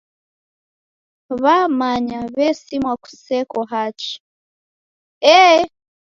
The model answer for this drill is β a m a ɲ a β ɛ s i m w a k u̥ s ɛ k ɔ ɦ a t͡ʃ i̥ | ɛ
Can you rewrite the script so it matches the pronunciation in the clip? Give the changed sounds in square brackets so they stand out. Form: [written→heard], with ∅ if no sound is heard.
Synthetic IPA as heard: β a m a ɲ a β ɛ s i m w a k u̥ s ɛ k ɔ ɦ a t͡ʃ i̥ | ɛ

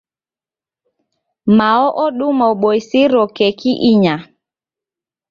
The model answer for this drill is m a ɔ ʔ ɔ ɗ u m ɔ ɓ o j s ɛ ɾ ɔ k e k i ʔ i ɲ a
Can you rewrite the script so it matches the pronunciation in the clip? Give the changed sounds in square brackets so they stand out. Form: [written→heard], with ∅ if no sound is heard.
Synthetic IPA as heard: m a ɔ ʔ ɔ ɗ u m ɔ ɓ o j s [ɛ→i] ɾ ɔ k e k i ʔ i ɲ a

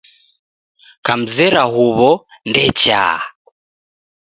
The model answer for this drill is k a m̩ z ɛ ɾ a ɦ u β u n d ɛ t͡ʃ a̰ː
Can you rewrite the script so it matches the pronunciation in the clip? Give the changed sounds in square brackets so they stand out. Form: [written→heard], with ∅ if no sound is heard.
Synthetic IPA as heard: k a m̩ z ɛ ɾ a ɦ u β [u→ɔ] n d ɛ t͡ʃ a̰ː

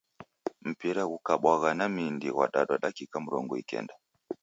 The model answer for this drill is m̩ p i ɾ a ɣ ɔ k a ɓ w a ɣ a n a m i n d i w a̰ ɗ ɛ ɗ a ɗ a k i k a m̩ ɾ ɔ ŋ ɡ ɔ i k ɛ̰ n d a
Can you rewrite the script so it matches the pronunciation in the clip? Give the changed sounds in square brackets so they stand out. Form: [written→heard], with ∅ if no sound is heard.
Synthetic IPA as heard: m̩ p i ɾ a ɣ [ɔ→u] k a ɓ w a ɣ a n a m i n d i w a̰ ɗ [ɛ→a] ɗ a ɗ a k i k a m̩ ɾ ɔ ŋ ɡ ɔ i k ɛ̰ n d a

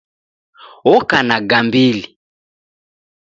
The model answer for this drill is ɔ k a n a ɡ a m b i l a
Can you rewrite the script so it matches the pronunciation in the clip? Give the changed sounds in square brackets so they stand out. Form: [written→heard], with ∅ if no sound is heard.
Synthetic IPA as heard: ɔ k a n a ɡ a m b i l [a→i]

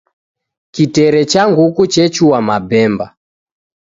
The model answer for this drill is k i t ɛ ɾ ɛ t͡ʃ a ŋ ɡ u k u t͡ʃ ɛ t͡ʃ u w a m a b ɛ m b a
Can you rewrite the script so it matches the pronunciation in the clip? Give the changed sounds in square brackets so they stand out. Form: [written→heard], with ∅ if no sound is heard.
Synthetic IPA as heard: k i t ɛ ɾ ɛ t͡ʃ a ŋ ɡ u k u t͡ʃ ɛ t͡ʃ u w a m a b ɛ m b a

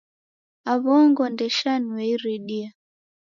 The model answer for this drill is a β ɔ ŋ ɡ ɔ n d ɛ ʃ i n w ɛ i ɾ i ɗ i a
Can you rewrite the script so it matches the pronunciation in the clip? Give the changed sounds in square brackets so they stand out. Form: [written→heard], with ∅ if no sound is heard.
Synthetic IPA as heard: a β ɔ ŋ ɡ ɔ n d ɛ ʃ [i→a] n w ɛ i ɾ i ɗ i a

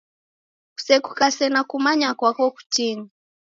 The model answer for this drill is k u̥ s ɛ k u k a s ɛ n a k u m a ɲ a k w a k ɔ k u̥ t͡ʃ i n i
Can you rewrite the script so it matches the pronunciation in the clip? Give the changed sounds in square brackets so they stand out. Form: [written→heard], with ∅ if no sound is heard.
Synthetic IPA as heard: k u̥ s ɛ k u k a s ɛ n a k u m a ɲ a k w a k ɔ k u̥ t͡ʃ i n i

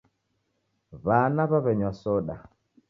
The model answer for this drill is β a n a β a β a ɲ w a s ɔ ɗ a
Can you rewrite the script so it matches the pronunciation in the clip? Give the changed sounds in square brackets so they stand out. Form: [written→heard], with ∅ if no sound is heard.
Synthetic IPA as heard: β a n a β a β [a→ɛ] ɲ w a s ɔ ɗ a

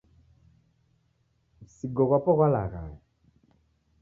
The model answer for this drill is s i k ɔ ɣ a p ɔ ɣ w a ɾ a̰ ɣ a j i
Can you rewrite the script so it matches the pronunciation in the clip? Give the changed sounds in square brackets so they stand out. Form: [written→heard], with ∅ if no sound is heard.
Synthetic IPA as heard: s i [k→ɡ] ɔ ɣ a p ɔ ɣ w a [ɾ→l] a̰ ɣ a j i

